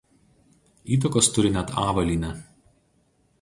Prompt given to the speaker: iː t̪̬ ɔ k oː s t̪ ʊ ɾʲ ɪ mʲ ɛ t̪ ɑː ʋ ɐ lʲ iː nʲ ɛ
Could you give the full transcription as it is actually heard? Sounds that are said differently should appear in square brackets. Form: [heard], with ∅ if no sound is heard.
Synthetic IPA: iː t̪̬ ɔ k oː s t̪ ʊ ɾʲ ɪ [nʲ] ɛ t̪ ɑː ʋ ɐ lʲ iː nʲ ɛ